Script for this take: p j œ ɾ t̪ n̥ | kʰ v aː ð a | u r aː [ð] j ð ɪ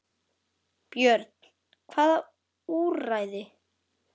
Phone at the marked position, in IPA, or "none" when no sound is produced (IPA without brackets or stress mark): none